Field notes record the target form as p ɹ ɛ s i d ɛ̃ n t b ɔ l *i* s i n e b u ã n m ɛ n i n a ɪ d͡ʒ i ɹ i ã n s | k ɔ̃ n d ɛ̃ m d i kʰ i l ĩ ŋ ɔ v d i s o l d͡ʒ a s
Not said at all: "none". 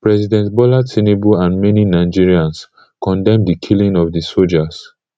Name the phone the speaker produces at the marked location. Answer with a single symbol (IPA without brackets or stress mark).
a